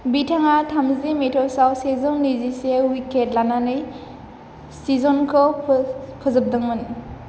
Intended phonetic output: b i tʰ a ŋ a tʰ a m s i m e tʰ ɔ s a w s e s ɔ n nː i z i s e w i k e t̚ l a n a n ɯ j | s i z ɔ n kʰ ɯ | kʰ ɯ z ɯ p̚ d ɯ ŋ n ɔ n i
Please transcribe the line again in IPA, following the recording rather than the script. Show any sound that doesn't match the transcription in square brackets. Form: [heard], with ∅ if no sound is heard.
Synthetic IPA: b i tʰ a ŋ a tʰ a m [z] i m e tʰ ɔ s a w s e [z] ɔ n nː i z i s e w i k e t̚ l a n a n ɯ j | s i z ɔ n kʰ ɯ | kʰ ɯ z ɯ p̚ d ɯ ŋ [m] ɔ n i